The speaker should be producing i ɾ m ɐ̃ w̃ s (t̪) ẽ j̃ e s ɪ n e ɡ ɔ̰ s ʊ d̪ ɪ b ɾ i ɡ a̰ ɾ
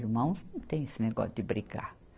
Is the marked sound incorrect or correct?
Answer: correct